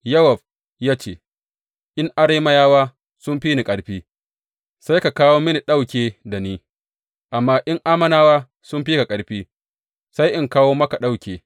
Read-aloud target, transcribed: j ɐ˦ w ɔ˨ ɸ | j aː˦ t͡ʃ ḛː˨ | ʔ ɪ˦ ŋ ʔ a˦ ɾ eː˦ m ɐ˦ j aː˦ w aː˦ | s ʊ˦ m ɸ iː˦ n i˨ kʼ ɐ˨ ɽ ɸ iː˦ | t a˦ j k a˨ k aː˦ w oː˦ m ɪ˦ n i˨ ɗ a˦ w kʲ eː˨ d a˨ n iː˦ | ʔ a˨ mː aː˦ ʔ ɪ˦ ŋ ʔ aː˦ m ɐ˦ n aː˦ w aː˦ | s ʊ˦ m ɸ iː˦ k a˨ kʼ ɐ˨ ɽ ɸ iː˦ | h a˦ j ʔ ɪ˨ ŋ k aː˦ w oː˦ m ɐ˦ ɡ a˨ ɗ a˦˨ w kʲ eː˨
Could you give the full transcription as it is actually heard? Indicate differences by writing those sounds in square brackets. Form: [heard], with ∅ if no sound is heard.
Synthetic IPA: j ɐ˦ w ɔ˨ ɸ | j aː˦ t͡ʃ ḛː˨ | ʔ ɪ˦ ŋ ʔ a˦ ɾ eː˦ m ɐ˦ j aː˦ w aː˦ | s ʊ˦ m ɸ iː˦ n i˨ kʼ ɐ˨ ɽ ɸ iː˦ | [s] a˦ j k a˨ k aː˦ w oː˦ m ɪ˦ n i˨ ɗ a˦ w kʲ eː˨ d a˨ n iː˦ | ʔ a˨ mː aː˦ ʔ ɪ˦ ŋ ʔ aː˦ m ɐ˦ n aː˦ w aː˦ | s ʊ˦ m ɸ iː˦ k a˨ kʼ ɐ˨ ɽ ɸ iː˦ | [s] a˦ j ʔ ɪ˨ ŋ k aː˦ w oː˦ m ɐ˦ [k] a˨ ɗ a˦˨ w kʲ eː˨